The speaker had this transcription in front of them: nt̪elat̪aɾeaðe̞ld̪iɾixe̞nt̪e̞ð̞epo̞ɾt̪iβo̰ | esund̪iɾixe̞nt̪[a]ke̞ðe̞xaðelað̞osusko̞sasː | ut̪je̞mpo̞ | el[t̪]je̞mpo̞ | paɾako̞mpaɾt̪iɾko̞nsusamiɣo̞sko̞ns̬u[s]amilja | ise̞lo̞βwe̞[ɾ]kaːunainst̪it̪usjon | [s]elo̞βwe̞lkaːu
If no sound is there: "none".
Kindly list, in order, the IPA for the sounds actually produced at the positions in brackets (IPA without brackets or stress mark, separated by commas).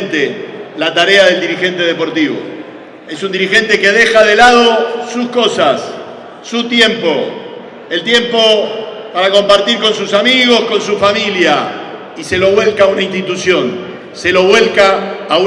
e, t̪, f, l, s